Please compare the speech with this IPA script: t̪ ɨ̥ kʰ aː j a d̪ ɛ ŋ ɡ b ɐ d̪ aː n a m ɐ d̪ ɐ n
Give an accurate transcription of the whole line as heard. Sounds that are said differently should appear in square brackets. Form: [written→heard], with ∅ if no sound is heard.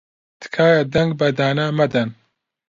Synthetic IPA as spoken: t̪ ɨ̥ kʰ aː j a d̪ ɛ ŋ ɡ b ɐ d̪ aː n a m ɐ d̪ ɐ n